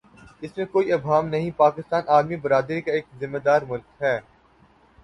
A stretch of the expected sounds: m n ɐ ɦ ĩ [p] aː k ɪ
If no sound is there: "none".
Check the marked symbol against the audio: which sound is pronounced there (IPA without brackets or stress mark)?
p